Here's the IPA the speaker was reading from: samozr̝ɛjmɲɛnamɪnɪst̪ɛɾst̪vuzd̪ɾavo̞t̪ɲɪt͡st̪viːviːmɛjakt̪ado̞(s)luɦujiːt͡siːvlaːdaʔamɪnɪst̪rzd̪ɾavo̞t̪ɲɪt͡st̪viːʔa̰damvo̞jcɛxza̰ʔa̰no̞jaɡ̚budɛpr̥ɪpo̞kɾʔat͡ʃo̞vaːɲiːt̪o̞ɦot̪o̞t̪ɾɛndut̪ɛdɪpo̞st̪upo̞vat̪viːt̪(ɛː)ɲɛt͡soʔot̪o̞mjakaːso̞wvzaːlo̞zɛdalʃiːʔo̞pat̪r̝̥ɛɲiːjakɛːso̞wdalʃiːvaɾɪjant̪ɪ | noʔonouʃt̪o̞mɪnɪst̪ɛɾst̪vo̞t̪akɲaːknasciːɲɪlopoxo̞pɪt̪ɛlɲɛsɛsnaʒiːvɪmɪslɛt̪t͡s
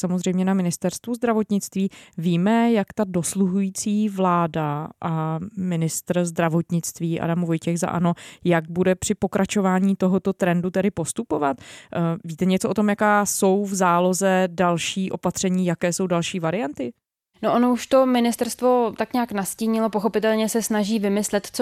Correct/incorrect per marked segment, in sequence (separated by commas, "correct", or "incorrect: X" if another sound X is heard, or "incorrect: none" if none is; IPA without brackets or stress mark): correct, incorrect: ɛ